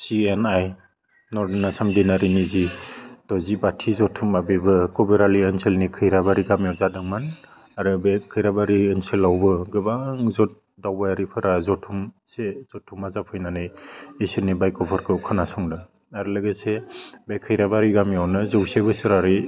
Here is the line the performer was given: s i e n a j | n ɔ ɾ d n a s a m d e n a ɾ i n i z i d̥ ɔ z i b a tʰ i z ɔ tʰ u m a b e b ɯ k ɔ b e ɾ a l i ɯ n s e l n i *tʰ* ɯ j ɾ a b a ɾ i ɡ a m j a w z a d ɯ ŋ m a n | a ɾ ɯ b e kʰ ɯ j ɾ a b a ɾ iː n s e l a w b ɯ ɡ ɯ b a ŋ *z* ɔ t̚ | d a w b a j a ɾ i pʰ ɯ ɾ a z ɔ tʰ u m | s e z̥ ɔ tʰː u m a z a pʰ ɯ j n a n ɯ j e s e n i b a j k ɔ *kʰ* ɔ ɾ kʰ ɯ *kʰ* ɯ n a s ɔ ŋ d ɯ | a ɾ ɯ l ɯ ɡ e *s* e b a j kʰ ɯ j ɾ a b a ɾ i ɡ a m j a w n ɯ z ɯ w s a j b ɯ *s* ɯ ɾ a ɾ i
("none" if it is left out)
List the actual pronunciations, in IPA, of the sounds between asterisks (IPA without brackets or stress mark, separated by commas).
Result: kʰ, z, pʰ, kʰ, s, s